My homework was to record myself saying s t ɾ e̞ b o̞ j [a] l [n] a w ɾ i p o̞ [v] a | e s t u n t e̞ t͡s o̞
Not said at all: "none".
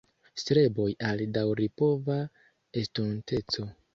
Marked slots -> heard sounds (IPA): a, d, v

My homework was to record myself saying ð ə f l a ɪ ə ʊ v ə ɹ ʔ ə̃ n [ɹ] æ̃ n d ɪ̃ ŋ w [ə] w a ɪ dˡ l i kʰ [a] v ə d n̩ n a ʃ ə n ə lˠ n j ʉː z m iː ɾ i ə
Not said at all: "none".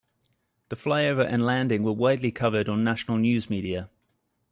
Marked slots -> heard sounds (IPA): l, ə, ʌ

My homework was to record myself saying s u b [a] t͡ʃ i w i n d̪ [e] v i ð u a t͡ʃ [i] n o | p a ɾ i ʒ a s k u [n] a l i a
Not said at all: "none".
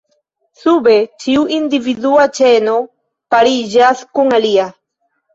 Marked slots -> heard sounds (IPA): e, i, e, ŋ

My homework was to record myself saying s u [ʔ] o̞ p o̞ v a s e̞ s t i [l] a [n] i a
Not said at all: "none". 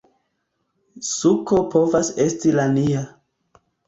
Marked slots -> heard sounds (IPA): k, l, n

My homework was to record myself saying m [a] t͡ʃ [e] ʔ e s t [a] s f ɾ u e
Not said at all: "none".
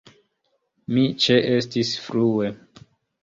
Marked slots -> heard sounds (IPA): i, e, i

